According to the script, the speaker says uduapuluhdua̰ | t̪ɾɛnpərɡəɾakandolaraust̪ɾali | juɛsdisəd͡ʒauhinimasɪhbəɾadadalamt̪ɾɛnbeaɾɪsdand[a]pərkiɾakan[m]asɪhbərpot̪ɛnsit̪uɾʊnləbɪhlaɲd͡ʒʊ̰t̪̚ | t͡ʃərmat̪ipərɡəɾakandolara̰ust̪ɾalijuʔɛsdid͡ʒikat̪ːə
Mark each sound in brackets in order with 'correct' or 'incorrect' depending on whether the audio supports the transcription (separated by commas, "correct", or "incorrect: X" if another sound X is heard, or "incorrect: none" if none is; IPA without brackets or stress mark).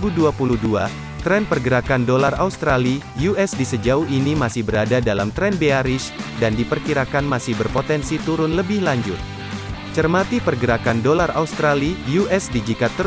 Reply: incorrect: i, correct